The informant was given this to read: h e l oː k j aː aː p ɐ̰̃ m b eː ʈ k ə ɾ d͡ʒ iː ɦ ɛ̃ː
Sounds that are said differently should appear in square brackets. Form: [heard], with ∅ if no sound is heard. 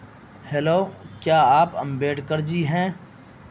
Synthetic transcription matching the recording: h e l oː k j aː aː p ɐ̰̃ m b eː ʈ k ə ɾ d͡ʒ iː ɦ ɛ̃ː